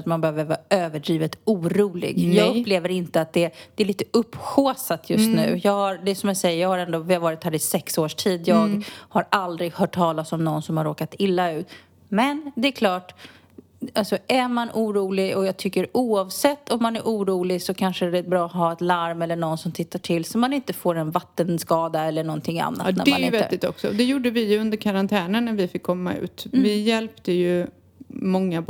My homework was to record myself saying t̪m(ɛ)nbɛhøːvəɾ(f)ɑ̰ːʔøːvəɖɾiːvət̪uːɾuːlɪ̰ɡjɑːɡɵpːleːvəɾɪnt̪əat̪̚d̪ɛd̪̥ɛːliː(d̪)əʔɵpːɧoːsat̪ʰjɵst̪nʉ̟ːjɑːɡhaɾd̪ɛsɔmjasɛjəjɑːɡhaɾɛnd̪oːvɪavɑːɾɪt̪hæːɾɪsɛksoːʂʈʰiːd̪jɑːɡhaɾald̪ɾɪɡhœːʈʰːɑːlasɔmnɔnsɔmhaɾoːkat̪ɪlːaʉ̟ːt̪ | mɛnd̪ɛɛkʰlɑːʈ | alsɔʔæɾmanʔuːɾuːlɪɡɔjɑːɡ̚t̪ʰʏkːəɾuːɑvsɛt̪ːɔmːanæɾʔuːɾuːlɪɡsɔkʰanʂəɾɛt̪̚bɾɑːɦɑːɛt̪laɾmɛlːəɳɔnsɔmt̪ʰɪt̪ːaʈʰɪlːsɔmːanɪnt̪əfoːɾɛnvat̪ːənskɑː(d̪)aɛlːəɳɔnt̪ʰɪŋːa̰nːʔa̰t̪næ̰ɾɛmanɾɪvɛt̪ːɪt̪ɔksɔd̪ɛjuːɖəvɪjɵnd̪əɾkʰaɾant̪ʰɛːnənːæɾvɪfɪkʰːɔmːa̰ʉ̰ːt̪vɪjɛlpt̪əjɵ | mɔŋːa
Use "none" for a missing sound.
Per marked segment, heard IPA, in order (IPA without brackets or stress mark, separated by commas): a, v, t̪, d̪